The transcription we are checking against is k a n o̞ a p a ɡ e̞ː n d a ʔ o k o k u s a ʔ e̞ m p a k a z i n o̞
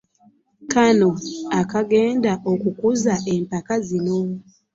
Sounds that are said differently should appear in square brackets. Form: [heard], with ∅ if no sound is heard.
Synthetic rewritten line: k a n o̞ a [k] a ɡ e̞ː n d a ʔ o k [u] k u [z] a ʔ e̞ m p a k a z i n o̞

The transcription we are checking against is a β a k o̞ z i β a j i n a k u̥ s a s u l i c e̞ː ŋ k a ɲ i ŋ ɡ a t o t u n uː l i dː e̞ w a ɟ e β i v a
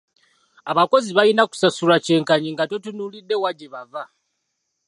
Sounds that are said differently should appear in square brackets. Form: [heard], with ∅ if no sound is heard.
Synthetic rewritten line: a β a k o̞ z i β a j i n a k u̥ s a s u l [a] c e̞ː ŋ k a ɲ i ŋ ɡ a t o t u n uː l i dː e̞ w a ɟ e β [a] v a

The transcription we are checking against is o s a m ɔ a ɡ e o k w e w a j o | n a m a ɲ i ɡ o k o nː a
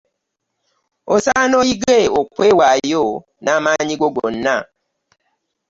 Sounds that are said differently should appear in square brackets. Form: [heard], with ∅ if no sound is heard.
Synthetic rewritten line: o s a [n] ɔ [i] ɡ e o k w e w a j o | n a m a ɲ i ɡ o [ɡ] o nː a

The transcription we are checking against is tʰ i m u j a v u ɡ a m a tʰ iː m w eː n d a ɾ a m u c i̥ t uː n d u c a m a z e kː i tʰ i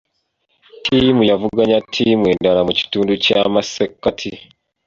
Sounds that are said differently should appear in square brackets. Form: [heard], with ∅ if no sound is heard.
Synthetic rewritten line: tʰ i m u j a v u ɡ a [ɲ] a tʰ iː m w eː n d a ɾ a m u c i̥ t uː n d u c a m a [s] e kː [a] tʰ i

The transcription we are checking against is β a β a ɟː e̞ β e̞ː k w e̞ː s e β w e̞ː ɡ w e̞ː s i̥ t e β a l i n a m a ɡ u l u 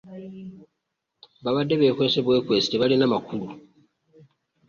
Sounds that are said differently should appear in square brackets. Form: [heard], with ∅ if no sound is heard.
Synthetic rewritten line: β a β a [dː] e̞ β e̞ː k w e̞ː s e β w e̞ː [k] w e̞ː s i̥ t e β a l i n a m a [k] u l u

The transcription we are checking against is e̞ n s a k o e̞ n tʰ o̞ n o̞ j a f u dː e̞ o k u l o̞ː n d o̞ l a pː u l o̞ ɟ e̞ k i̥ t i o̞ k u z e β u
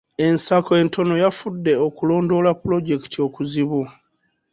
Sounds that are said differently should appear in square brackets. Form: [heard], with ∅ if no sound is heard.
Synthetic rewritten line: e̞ n s a k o e̞ n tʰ o̞ n o̞ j a f u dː e̞ o k u l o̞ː n d o̞ l a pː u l o̞ ɟ e̞ k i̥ t i o̞ k u z [i] β u

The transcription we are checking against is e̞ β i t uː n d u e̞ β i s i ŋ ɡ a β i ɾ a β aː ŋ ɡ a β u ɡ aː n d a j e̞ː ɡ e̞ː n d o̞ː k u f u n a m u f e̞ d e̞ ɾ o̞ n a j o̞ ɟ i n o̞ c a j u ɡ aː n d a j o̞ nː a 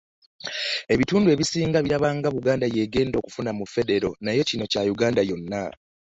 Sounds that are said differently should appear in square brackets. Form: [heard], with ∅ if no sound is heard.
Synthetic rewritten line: e̞ β i t uː n d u e̞ β i s [iː] ŋ ɡ a β i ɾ a β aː ŋ ɡ a β u ɡ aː n d a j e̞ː ɡ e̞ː n d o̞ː k u f u n a m u f e̞ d e̞ ɾ o̞ n a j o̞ [c] i n o̞ c a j u ɡ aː n d a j o̞ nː a

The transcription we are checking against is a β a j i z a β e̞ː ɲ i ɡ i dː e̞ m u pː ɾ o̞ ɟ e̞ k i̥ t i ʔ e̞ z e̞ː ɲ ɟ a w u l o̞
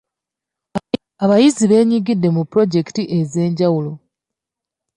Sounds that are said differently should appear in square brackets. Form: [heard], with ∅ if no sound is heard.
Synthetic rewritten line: a β a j i z [i] β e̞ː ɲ i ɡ i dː e̞ m u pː ɾ o̞ ɟ e̞ k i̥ t i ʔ e̞ z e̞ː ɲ ɟ a w u l o̞

